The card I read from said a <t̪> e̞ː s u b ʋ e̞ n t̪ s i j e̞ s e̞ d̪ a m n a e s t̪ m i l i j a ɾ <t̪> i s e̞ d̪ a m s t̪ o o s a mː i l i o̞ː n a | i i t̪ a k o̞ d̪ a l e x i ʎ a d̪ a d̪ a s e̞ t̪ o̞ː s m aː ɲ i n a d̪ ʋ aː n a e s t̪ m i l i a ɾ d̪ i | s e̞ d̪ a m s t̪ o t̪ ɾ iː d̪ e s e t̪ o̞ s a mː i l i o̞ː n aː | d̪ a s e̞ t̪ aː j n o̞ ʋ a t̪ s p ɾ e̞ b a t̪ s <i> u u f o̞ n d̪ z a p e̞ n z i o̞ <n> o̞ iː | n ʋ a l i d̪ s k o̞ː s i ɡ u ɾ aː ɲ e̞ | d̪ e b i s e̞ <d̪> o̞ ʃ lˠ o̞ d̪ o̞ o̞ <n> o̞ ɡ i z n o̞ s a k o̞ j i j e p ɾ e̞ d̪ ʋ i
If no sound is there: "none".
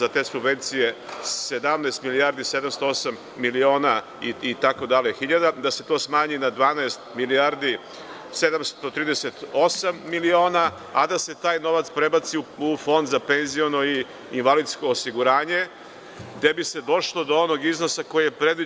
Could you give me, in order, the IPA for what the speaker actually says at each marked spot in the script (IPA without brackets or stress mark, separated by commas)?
t̪, d̪, i, n, d̪, n